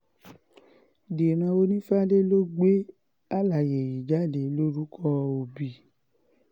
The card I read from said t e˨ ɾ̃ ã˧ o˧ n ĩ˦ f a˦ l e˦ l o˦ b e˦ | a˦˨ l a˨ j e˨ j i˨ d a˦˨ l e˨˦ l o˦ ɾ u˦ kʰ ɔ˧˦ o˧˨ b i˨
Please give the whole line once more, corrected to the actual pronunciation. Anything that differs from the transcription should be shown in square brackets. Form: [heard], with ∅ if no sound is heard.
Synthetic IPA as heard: [d] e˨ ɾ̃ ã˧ o˧ n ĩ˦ f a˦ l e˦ l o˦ [ɡ͡b] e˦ | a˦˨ l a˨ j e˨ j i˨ [d͡ʒ] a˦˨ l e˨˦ l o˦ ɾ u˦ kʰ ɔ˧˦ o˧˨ b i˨